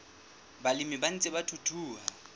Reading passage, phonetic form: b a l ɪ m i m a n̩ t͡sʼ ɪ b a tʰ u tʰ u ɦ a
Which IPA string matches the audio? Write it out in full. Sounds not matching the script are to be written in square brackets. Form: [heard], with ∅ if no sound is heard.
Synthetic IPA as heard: b a l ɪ m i [b] a n̩ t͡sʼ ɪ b a tʰ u tʰ [uː] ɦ a